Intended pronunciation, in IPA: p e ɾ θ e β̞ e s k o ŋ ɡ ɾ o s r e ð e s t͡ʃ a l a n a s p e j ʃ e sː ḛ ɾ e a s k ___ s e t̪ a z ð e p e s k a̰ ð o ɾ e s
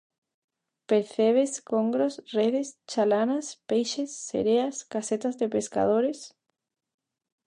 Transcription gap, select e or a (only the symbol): a